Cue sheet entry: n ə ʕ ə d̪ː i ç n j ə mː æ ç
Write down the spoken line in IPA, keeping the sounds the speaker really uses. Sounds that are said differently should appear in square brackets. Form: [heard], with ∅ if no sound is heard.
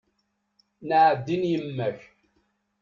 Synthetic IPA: n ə ʕ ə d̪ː i [∅] n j ə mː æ ç